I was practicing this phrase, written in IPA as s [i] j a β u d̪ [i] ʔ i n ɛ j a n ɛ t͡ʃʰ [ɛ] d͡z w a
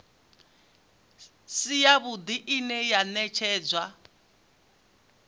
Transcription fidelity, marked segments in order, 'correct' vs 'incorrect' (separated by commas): correct, correct, incorrect